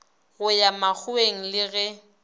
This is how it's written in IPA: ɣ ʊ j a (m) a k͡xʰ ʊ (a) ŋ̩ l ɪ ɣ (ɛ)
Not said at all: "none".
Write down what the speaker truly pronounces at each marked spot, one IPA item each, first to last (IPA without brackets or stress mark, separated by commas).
m, e, ɛ